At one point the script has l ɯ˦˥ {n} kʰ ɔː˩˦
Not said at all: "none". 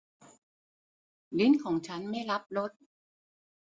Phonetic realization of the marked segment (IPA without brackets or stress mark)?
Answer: n